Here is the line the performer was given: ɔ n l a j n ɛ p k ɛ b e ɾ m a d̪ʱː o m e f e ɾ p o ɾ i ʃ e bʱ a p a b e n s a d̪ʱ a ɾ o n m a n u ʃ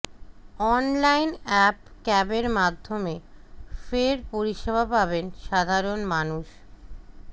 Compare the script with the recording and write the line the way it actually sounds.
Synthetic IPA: ɔ n l a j n ɛ p k ɛ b e ɾ m a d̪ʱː o m e f e ɾ p o ɾ i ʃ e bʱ a p a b e n ʃ a d̪ʱ a ɾ o n m a n u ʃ